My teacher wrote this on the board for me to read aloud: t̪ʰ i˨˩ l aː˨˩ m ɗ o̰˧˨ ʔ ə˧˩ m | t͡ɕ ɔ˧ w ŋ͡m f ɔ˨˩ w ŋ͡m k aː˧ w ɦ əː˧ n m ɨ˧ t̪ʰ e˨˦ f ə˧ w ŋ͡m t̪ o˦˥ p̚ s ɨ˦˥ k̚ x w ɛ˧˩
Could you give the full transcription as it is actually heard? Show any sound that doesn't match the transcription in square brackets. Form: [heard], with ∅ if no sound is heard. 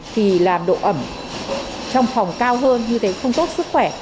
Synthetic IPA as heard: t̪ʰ i˨˩ l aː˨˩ m ɗ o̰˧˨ ʔ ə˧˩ m | t͡ɕ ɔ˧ w ŋ͡m f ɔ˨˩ w ŋ͡m k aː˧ w ɦ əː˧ n [ɲ] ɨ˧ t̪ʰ e˨˦ [x] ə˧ w ŋ͡m t̪ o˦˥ [t̚] s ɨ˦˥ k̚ x w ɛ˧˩